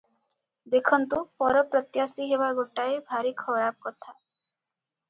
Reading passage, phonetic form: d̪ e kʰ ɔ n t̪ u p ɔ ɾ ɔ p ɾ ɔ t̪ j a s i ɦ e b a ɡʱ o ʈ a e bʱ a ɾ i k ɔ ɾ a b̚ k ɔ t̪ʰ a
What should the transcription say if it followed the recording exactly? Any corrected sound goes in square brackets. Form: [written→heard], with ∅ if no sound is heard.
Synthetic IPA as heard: d̪ e kʰ ɔ n t̪ u p ɔ ɾ ɔ p ɾ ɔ t̪ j a s i ɦ e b a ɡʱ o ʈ a e bʱ a ɾ i [k→kʰ] ɔ ɾ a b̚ k ɔ t̪ʰ a